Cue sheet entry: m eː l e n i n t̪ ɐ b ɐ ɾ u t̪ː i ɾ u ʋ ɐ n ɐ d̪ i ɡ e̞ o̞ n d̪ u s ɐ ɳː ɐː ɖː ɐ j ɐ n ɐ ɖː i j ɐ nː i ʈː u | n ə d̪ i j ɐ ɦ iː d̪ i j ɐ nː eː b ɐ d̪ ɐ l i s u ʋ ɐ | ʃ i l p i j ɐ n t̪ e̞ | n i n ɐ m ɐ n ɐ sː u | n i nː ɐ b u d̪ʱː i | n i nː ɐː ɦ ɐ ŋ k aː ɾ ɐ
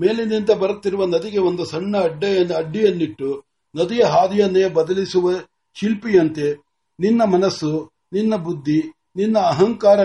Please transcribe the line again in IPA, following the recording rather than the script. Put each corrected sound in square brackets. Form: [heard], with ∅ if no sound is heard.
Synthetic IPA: m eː l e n i n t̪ ɐ b ɐ ɾ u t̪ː i ɾ u ʋ ɐ n ɐ d̪ i ɡ e̞ o̞ n d̪ u s ɐ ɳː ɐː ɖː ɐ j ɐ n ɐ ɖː i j ɐ nː i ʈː u | n [ɐ] d̪ i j ɐ ɦ [aː] d̪ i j ɐ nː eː b ɐ d̪ ɐ l i s u ʋ ɐ | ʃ i l p i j ɐ n t̪ e̞ | n i [nː] ɐ m ɐ n ɐ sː u | n i nː ɐ b u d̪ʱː i | n i nː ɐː ɦ ɐ ŋ k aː ɾ ɐ